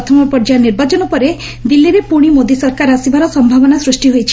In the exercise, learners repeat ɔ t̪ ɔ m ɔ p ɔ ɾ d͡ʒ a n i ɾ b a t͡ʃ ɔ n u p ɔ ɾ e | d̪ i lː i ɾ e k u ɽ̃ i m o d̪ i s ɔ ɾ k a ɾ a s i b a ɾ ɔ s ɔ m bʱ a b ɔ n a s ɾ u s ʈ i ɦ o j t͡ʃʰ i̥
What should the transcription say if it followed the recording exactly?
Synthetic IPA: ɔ t̪ʰ ɔ m ɔ p ɔ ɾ d͡ʒ a n i ɾ b a t͡ʃ ɔ n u p ɔ ɾ e | d̪ i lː i ɾ e p u ɽ̃ i m o d̪ i s ɔ ɾ k a ɾ a s i b a ɾ ɔ s ɔ m bʱ a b ɔ n a s ɾ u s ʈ i ɦ o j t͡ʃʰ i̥